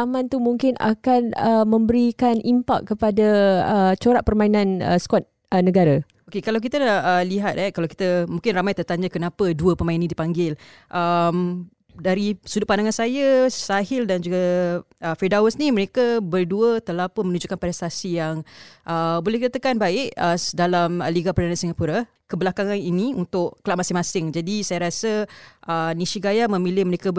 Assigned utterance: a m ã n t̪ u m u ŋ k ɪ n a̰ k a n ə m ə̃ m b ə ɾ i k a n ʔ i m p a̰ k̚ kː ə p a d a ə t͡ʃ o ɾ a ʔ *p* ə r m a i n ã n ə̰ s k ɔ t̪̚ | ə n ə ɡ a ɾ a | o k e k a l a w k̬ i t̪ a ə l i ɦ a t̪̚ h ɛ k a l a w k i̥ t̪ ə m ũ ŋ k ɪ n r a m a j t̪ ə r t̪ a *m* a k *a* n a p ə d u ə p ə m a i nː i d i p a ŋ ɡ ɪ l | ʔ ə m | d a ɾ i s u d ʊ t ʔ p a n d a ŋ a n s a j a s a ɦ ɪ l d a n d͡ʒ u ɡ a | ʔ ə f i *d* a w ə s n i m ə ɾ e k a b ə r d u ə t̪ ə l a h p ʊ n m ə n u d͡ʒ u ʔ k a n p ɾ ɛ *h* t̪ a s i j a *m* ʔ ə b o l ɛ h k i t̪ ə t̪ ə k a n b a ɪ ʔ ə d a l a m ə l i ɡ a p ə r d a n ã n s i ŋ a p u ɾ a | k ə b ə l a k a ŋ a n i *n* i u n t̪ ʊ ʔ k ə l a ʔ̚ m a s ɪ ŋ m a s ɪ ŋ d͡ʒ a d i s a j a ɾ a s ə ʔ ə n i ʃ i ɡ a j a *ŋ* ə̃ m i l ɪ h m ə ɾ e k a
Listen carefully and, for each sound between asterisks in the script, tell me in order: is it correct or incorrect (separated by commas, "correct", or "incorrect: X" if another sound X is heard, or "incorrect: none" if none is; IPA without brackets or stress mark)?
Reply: correct, incorrect: ɲ, incorrect: ə, correct, incorrect: s, incorrect: ŋ, correct, incorrect: m